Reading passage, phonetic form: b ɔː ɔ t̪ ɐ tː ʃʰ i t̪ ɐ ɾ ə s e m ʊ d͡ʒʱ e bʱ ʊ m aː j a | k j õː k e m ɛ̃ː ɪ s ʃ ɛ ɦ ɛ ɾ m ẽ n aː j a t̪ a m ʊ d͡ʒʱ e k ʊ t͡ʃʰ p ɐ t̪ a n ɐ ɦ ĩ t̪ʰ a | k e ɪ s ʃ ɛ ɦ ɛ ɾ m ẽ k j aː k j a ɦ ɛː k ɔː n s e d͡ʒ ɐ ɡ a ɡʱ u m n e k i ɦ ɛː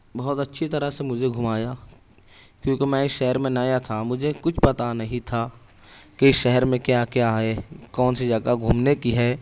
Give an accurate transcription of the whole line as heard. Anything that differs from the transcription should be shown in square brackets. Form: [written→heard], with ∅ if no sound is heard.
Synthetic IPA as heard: b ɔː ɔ t̪ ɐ tː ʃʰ i t̪ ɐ ɾ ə s e m ʊ d͡ʒʱ e [bʱ→ɡʱ] ʊ m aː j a | k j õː k e m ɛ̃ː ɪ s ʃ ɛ ɦ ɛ ɾ m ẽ n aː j a [t̪→t̪ʰ] a m ʊ d͡ʒʱ e k ʊ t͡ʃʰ p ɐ t̪ a n ɐ ɦ ĩ t̪ʰ a | k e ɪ s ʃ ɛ ɦ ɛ ɾ m ẽ k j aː k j a ɦ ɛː k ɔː n s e d͡ʒ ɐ ɡ a ɡʱ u m n e k i ɦ ɛː